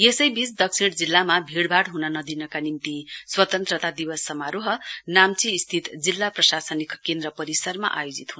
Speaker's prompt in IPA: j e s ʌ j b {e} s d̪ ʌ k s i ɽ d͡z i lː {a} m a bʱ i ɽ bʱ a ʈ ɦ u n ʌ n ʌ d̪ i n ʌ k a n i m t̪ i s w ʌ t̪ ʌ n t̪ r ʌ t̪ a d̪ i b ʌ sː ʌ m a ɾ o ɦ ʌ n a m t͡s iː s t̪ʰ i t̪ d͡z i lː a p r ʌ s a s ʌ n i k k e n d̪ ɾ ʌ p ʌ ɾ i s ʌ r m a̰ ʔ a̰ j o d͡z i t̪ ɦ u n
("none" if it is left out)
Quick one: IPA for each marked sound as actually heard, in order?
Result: i, a

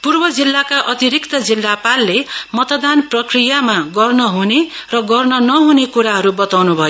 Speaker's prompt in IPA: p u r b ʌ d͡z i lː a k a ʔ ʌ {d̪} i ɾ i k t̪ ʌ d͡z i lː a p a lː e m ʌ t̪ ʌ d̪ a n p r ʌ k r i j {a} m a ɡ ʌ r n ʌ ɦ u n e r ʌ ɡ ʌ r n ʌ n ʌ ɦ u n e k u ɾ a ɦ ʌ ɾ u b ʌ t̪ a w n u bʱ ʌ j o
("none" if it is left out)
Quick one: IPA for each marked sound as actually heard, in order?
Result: t̪, a

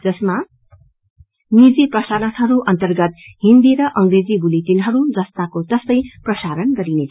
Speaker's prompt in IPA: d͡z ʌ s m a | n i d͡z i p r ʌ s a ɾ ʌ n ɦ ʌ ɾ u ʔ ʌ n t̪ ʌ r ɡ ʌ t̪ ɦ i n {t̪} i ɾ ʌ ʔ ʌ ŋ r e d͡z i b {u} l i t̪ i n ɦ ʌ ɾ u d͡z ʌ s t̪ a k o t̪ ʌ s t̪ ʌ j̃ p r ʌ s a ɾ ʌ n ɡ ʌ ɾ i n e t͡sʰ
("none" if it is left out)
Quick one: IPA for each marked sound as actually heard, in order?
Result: d̪, u

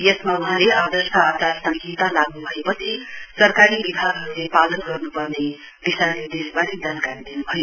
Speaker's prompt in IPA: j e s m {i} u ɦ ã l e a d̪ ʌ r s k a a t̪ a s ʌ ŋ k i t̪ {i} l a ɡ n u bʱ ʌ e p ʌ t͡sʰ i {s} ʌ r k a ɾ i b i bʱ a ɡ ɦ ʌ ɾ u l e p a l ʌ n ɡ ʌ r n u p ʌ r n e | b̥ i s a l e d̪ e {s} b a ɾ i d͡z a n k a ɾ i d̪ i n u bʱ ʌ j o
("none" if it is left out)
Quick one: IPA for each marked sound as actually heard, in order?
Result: a, a, s, s

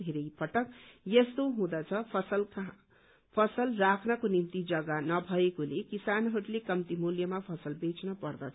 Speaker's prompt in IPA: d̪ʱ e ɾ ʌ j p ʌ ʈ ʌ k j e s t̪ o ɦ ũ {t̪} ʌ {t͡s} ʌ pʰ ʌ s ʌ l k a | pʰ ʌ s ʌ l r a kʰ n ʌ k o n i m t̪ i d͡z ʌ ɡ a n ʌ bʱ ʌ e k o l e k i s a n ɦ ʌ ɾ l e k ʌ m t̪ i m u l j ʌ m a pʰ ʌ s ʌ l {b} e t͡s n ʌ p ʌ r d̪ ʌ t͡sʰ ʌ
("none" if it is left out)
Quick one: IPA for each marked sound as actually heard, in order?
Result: d̪, t͡sʰ, b

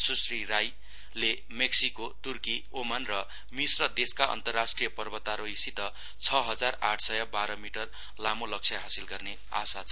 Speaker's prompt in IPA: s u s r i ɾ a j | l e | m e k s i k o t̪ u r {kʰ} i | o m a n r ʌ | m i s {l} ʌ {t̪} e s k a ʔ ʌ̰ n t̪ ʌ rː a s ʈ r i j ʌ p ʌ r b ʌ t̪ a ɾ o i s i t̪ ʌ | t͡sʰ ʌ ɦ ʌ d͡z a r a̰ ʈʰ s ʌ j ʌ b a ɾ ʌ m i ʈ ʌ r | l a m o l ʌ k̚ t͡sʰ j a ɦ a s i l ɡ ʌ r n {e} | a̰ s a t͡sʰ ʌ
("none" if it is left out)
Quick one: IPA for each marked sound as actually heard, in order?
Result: k, r, d̪, e

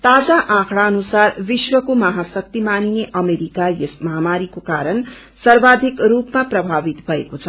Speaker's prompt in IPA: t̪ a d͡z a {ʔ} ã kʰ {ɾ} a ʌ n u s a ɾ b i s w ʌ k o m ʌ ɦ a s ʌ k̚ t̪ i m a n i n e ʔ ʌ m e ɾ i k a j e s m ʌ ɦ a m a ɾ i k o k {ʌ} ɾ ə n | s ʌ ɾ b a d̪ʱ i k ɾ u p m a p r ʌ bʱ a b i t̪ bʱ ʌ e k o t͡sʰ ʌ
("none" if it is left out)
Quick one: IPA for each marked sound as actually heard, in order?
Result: ʔ, ɽ, a

